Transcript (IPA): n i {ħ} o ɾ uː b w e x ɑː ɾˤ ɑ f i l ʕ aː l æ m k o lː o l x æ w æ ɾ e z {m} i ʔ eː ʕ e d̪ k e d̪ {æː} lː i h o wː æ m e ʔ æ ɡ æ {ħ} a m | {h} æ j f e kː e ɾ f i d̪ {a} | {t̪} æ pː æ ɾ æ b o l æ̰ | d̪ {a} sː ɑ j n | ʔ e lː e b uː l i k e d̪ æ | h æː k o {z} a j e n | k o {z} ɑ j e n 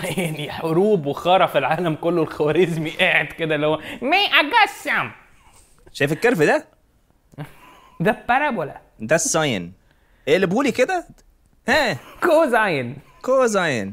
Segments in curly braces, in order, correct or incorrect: correct, correct, incorrect: æ, incorrect: s, incorrect: ʃ, incorrect: æ, incorrect: d̪, incorrect: æ, correct, correct

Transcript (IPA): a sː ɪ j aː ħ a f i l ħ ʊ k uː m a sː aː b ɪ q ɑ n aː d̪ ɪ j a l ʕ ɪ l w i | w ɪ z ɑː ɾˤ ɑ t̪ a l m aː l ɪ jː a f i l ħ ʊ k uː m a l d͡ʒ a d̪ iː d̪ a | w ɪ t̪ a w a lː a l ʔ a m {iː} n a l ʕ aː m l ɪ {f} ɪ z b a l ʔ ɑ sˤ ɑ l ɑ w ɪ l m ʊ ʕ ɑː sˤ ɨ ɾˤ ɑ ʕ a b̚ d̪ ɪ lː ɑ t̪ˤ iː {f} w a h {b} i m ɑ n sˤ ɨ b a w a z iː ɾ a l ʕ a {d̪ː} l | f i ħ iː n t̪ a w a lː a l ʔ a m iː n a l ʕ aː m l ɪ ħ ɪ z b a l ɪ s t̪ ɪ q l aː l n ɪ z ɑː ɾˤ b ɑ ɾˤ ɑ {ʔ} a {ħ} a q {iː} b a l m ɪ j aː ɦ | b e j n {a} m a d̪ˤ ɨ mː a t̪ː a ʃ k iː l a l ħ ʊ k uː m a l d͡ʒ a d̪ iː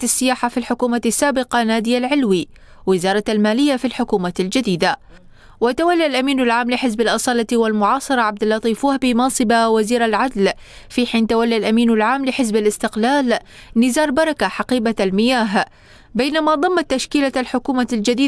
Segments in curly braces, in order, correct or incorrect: correct, incorrect: ħ, correct, correct, incorrect: d̪, incorrect: k, correct, correct, correct

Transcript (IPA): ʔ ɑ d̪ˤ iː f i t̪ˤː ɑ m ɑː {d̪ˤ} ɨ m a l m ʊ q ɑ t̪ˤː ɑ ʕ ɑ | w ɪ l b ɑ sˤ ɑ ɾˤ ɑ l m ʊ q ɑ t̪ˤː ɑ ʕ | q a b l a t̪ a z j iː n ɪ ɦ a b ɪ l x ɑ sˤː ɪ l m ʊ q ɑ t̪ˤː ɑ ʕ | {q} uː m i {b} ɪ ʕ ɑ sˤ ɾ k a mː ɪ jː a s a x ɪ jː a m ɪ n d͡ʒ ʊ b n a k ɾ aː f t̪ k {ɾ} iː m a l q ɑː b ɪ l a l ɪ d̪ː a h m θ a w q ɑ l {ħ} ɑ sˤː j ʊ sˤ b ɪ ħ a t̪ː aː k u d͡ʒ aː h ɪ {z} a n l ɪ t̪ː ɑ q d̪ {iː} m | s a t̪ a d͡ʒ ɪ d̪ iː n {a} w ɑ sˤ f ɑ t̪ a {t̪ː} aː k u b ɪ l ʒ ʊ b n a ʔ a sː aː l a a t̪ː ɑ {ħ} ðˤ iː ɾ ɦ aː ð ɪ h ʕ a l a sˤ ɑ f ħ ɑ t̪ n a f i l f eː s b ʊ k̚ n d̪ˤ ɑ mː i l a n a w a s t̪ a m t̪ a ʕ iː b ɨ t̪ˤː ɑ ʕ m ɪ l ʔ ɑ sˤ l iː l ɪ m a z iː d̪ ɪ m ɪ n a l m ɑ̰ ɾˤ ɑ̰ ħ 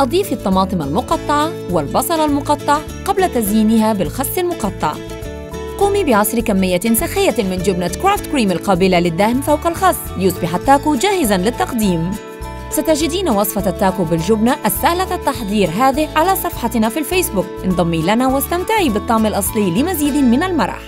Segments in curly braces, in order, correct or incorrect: incorrect: t̪ˤ, correct, correct, correct, incorrect: x, correct, correct, correct, correct, correct

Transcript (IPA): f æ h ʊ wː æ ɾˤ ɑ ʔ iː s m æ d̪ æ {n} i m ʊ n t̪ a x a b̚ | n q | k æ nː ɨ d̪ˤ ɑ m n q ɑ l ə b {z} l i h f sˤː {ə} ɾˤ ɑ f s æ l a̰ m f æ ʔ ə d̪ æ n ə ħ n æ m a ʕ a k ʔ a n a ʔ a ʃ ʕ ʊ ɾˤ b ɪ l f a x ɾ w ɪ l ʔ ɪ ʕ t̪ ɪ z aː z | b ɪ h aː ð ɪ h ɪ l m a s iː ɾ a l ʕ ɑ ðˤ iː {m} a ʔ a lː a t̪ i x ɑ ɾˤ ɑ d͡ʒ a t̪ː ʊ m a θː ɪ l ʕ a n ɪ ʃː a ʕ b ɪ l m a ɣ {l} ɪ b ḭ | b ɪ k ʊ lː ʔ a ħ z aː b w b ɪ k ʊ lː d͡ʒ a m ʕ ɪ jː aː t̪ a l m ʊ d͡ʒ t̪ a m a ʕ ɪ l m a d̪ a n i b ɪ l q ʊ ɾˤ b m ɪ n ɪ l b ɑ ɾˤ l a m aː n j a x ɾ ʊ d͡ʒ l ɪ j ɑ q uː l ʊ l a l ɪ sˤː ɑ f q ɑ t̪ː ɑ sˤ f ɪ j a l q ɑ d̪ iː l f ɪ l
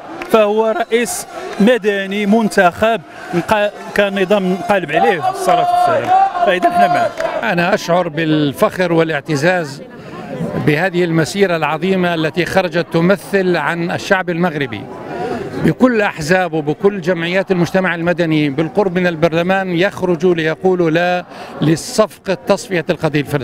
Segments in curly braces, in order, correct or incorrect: correct, incorrect: ʕ, incorrect: ɑ, correct, incorrect: ɾ

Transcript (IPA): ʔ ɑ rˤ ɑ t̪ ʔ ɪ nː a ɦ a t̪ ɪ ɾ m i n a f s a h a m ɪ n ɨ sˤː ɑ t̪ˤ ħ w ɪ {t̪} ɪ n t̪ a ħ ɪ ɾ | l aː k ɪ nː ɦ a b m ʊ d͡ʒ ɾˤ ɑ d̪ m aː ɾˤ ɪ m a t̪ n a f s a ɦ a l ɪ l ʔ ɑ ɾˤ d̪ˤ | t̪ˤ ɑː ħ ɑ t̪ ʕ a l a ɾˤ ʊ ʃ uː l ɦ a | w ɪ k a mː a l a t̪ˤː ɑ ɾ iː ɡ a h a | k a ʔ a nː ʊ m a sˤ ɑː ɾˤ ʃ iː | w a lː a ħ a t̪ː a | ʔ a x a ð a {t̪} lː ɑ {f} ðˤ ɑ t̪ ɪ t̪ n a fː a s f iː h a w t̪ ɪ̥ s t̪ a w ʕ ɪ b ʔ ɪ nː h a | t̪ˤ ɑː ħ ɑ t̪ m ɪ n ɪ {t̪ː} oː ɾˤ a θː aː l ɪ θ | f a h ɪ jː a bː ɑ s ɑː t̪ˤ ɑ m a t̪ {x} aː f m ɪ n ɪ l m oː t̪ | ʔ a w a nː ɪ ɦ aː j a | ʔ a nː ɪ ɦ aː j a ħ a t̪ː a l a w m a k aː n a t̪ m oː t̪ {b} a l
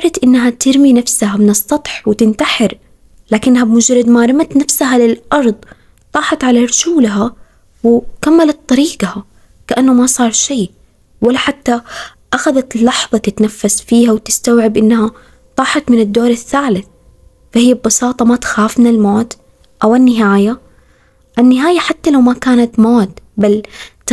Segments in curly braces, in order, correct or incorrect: correct, correct, incorrect: ħ, incorrect: d̪ː, correct, correct

